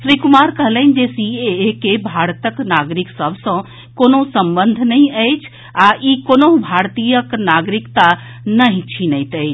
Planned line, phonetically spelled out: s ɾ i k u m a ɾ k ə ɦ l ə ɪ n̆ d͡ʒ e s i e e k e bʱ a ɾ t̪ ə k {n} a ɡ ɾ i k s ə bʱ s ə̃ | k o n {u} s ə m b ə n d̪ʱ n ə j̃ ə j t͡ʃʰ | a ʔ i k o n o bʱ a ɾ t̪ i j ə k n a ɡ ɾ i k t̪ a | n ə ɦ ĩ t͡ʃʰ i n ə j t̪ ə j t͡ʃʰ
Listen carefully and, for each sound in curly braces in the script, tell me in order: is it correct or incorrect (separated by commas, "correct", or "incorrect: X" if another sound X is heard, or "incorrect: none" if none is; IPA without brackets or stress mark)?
correct, incorrect: o